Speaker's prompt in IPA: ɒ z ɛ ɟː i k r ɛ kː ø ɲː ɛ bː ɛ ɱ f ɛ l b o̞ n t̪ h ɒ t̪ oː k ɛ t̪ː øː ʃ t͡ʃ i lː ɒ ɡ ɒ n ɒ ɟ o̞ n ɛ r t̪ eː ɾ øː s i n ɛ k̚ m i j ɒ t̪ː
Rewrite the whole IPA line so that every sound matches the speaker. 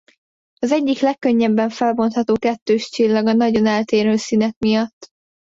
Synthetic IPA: ɒ z ɛ ɟː i k l ɛ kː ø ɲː ɛ bː ɛ ɱ f ɛ l b o̞ n t̪ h ɒ t̪ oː k ɛ t̪ː øː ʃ t͡ʃ i lː ɒ ɡ ɒ n ɒ ɟ o̞ n ɛ l t̪ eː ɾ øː s i n ɛ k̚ m i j ɒ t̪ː